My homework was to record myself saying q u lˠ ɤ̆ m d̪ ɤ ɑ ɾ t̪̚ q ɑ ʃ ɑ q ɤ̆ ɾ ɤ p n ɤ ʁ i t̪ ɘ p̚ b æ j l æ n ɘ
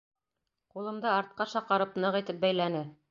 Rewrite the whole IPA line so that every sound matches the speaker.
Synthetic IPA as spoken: q u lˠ ɤ̆ m d̪ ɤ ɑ ɾ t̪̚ q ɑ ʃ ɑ q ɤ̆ ɾ ɤ p n ɤ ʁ i t̪ ɘ p̚ b æ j l æ n ɘ